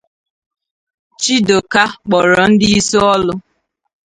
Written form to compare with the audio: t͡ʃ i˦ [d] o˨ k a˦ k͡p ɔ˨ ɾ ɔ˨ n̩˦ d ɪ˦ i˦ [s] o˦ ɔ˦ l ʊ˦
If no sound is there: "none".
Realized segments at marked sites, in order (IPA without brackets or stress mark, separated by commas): d, s